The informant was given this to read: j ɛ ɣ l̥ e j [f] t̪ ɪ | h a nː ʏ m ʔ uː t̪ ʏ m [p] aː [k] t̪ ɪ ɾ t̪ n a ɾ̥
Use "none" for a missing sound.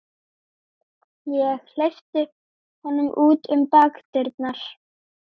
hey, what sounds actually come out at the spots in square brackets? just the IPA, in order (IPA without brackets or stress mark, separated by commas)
f, p, k